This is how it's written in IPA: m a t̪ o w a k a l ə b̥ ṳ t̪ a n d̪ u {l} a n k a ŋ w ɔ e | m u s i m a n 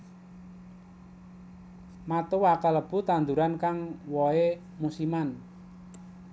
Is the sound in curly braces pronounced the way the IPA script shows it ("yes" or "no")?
no